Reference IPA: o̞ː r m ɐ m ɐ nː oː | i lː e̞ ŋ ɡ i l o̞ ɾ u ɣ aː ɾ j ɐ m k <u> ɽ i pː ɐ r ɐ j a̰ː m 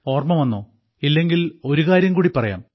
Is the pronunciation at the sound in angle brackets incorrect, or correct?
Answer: incorrect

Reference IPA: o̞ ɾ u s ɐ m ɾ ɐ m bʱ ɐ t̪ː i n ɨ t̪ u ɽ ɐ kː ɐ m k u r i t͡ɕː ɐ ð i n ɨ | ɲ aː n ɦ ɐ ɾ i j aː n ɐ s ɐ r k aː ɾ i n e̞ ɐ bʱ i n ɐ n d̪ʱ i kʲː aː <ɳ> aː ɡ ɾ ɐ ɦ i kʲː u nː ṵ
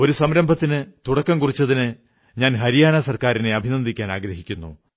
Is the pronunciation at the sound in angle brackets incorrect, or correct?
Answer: incorrect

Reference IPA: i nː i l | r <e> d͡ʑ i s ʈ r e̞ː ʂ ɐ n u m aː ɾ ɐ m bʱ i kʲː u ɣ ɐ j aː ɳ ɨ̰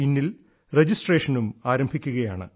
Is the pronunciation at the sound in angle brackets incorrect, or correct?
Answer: correct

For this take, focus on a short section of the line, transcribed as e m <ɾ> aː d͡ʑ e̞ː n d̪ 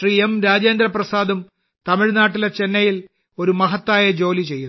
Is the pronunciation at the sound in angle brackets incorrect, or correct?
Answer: correct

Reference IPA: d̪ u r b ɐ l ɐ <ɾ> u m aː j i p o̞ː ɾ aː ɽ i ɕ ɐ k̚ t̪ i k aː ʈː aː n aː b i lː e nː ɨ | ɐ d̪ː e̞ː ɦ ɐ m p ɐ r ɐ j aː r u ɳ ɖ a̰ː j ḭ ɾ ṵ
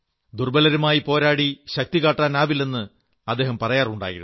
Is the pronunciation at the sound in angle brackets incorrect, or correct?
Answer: correct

